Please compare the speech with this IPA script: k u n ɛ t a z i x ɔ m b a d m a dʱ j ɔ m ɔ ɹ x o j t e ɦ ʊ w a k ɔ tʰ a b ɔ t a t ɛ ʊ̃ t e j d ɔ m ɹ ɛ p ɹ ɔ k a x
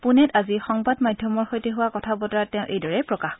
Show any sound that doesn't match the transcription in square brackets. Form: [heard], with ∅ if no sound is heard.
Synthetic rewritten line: [p] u n ɛ t a z i x ɔ [ŋ] b a d m a dʱ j ɔ m ɔ ɹ x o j t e ɦ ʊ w a k ɔ tʰ a b ɔ t a t ɛ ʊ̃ [ʔ] e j d ɔ [∅] ɹ ɛ p ɹ ɔ k a x